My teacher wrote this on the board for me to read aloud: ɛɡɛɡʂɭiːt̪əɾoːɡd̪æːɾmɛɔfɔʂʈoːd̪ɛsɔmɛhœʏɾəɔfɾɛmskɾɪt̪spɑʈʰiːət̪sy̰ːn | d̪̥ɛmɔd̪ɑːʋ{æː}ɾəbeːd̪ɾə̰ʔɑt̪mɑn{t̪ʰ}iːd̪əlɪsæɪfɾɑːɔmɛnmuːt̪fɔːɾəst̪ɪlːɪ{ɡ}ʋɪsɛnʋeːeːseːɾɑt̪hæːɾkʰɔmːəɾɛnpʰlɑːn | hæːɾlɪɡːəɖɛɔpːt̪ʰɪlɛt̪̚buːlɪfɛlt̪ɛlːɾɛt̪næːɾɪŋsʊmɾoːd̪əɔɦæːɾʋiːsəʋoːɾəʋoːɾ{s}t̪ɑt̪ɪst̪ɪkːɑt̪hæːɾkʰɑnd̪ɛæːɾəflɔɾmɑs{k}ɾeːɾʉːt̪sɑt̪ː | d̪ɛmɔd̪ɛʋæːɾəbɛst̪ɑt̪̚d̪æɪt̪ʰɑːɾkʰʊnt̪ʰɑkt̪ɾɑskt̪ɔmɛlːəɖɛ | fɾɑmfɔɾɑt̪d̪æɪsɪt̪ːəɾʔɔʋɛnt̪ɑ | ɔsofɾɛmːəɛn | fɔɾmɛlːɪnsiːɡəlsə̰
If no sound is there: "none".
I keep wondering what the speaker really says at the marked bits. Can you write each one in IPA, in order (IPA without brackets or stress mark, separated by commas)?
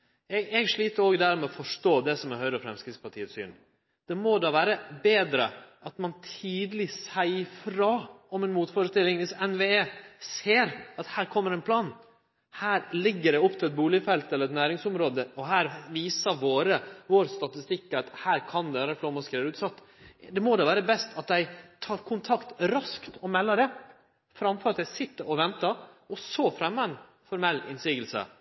æː, t̪ʰ, ŋ, s, k